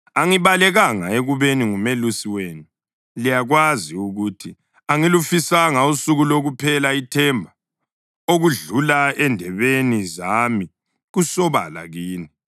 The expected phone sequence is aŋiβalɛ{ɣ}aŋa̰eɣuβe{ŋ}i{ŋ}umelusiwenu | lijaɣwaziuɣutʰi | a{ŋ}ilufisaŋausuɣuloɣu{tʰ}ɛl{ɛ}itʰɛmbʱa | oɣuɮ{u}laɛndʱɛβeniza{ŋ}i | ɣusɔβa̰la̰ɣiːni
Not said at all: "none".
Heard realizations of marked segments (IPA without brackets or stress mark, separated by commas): ɣ, n, ŋ, ŋ, pʰ, a, u, m